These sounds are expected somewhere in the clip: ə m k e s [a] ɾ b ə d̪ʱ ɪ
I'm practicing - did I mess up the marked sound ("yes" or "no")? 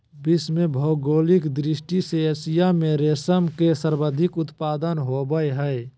yes